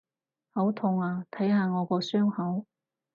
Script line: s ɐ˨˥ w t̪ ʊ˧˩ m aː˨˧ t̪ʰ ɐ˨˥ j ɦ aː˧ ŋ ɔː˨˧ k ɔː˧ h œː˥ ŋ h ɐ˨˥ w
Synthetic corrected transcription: h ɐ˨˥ w t̪ʰ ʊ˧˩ ŋ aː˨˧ t̪ʰ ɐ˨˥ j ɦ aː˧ ŋ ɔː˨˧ k ɔː˧ s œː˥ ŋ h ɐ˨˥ w